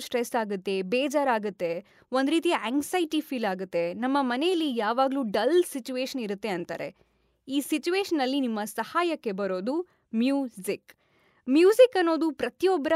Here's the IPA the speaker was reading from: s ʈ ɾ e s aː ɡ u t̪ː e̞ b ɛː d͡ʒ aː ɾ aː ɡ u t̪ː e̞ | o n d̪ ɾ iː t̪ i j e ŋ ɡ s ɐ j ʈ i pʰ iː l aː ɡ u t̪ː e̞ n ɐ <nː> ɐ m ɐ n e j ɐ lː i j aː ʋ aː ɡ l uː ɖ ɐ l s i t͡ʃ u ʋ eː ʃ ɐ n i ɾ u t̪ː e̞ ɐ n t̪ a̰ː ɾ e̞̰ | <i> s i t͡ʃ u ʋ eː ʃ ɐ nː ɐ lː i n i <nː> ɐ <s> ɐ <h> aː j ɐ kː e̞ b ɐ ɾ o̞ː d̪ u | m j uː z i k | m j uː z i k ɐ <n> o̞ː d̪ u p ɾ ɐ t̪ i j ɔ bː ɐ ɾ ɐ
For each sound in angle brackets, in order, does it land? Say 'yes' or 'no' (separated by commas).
no, no, no, yes, yes, no